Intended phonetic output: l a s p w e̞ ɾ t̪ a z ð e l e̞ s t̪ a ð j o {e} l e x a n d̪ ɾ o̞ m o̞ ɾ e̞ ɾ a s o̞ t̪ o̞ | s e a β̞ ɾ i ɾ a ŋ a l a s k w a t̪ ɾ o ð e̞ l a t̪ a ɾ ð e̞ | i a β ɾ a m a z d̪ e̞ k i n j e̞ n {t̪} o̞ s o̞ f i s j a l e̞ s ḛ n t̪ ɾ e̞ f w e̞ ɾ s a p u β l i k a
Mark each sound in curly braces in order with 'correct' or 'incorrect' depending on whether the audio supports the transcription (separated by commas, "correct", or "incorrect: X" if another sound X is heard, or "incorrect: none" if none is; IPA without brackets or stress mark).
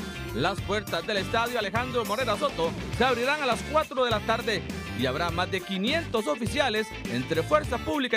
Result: incorrect: a, correct